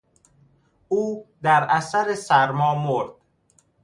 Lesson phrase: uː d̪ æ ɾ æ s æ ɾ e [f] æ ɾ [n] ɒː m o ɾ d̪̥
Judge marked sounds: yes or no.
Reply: no, no

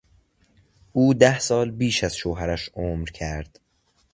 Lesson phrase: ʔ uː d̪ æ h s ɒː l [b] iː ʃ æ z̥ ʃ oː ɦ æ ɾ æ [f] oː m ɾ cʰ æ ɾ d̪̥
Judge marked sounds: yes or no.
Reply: yes, no

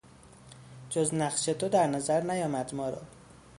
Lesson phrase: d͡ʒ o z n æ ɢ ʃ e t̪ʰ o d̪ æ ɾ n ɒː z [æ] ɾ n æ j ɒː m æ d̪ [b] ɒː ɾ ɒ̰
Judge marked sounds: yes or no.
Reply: yes, no

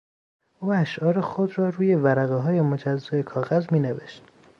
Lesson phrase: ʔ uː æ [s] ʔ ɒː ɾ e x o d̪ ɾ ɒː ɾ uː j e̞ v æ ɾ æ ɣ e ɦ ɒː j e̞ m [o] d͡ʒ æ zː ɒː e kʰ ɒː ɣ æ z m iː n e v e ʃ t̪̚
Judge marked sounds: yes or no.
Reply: no, yes

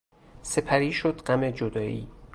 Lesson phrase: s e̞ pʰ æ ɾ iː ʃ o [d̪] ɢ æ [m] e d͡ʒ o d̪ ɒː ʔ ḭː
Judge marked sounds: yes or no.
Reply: yes, yes

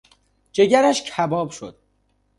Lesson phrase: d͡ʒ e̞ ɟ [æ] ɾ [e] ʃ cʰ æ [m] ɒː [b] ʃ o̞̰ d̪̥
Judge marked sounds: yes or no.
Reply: yes, no, no, yes

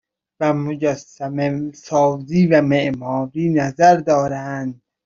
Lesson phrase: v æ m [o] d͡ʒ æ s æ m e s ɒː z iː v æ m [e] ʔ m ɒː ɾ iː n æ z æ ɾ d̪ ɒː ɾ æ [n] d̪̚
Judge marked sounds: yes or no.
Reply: yes, yes, yes

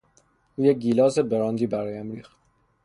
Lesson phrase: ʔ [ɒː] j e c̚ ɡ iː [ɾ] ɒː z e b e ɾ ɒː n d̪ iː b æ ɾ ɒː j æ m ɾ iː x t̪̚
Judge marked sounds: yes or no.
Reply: no, no

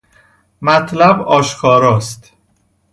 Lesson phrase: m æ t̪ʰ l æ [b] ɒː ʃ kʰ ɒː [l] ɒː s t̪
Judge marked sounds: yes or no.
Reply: yes, no

